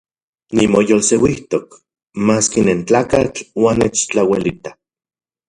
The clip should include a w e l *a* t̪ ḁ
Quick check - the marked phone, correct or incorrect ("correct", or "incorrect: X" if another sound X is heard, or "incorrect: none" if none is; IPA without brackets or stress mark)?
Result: incorrect: i